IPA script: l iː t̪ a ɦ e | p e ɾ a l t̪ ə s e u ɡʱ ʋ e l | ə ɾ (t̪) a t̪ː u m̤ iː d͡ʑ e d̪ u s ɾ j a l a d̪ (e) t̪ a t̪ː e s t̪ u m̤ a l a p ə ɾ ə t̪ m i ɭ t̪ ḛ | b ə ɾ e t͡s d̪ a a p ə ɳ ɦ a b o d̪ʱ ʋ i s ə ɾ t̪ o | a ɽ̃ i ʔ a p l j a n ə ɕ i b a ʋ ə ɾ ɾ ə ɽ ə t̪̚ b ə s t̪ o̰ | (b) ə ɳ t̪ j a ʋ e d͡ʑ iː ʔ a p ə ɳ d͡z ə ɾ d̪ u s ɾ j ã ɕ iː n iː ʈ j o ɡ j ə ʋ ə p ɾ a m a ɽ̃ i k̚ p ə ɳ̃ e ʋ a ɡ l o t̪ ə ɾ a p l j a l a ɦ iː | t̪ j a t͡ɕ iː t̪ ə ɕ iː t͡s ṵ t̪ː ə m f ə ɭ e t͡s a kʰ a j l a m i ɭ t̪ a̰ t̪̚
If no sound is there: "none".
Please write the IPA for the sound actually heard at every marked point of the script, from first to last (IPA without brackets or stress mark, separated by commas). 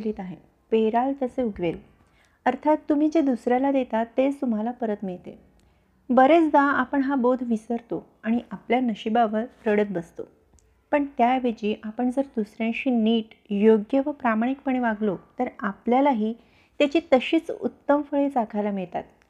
t̪ʰ, e, p